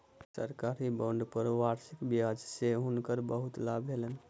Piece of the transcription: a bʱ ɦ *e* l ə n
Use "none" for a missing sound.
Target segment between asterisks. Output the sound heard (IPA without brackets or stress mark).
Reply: e